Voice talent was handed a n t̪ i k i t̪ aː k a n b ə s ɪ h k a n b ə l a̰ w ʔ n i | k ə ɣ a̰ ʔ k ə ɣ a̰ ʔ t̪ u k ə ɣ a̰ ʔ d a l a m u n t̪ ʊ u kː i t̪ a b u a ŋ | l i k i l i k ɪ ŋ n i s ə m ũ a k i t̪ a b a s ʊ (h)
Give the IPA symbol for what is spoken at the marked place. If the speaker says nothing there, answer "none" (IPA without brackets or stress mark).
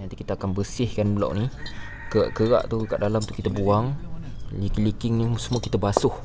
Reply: h